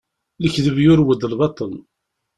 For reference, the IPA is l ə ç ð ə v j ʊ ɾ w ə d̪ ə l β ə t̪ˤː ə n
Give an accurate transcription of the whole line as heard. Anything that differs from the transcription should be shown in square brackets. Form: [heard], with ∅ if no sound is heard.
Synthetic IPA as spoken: l ə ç ð ə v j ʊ ɾ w ə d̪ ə l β [ɑ] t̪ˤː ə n